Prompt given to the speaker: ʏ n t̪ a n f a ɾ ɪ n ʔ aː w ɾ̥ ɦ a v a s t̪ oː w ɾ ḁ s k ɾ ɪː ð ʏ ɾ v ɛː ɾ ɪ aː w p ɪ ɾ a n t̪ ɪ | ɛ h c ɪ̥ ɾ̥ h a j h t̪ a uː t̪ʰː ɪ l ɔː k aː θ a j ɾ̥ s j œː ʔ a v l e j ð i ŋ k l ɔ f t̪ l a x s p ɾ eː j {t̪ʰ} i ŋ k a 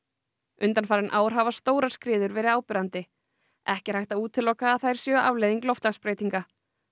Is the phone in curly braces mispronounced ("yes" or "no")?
yes